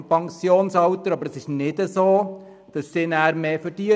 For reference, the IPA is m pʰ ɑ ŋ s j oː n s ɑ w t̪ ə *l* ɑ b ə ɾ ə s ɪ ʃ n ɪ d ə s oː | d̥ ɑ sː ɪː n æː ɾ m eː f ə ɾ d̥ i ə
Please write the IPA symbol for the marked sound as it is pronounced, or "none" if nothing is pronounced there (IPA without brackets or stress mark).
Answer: ɾ